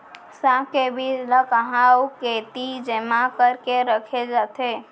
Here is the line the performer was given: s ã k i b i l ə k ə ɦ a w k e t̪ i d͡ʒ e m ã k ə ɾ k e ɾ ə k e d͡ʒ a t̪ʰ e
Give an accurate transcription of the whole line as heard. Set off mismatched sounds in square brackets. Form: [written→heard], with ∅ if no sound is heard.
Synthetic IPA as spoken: s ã k [i→e] b i l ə k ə ɦ a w k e t̪ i d͡ʒ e m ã k ə ɾ k e ɾ ə [k→kʰ] e d͡ʒ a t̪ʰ e